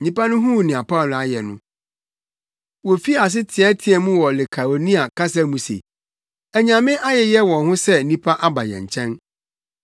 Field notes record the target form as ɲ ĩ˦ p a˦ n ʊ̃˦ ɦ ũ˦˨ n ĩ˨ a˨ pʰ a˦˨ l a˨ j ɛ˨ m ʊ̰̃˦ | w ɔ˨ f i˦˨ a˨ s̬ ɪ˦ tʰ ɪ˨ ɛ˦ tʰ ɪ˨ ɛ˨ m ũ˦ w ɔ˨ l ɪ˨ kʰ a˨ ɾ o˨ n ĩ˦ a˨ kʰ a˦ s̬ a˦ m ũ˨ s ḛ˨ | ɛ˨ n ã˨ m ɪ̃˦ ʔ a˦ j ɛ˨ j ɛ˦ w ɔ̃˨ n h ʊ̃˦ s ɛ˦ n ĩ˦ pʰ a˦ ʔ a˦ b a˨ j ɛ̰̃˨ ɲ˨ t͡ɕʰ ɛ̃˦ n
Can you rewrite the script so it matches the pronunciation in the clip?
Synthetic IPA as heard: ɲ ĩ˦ p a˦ n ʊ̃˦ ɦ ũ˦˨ n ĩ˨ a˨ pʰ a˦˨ l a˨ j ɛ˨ n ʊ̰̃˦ | w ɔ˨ f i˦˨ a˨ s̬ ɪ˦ tʰ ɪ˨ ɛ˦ tʰ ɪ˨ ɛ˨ m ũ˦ w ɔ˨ l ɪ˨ kʰ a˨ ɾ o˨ n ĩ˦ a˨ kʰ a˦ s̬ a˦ m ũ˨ s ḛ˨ | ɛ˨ ɲ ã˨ m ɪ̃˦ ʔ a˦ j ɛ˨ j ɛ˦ w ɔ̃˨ n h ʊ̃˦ s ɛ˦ n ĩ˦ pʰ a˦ ʔ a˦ b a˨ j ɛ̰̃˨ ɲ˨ t͡ɕʰ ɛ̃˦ n